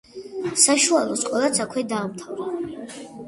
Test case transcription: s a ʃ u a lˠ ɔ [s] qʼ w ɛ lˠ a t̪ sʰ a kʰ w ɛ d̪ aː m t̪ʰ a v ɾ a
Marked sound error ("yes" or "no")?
no